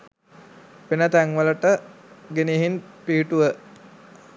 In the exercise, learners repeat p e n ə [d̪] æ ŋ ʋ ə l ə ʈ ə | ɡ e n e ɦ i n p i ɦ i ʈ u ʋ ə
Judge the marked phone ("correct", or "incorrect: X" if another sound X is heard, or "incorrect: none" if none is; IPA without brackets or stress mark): incorrect: t̪